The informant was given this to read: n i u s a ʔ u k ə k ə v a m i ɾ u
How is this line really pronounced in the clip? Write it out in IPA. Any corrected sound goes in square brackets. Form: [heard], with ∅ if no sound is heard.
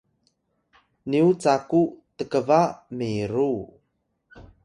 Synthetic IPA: n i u [t͡s] a [k] u [t] ə k ə v a m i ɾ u

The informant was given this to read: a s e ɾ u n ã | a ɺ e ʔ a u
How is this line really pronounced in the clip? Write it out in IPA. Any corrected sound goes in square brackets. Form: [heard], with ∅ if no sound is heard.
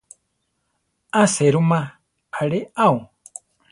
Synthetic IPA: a s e ɾ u [m] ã | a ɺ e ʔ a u

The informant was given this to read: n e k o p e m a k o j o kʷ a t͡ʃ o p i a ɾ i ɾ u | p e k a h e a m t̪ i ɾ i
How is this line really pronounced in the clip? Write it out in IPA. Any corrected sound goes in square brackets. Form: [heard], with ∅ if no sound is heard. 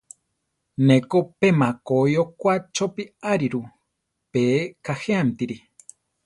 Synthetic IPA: n e k o p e m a k o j o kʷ a t͡ʃ o p i a ɾ i ɾ u | p e k a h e a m t̪ i ɾ i

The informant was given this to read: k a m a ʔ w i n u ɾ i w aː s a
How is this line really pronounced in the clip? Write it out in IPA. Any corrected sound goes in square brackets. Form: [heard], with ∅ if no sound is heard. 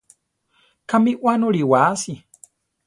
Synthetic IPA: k a m [i] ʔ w [a] n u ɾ i w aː s [i]

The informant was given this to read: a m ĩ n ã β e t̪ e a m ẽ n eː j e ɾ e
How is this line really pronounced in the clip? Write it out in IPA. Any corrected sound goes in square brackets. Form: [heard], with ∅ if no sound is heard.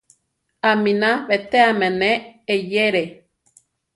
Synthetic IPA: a m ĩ n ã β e t̪ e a m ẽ n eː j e ɾ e

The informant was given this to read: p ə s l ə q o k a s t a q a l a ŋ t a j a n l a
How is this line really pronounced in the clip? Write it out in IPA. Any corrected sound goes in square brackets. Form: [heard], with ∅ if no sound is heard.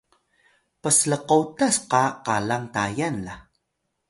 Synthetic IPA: p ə s l ə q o [t] a s [q] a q a l a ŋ t a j a n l a

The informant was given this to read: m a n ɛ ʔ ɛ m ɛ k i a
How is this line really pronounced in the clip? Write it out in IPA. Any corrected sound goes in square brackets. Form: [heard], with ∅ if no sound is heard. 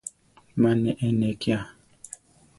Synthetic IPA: m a n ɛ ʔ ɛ [n] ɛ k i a

